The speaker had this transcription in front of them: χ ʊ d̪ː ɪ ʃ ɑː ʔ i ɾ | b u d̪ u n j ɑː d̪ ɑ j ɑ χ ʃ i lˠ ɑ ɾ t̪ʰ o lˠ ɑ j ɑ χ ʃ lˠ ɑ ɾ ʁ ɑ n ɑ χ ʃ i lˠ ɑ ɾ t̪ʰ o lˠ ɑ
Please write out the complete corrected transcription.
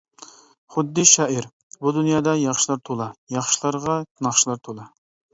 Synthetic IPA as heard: χ ʊ d̪ː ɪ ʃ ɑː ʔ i ɾ | b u d̪ u n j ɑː d̪ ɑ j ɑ χ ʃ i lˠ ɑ ɾ t̪ʰ o lˠ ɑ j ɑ χ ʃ lˠ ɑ ɾ ʁ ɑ n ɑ χ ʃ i lˠ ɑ ɾ t̪ʰ o lˠ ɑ